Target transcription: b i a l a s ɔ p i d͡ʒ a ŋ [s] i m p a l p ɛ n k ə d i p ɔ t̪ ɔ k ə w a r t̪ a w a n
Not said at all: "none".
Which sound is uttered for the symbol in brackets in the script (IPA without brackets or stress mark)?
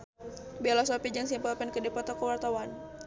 s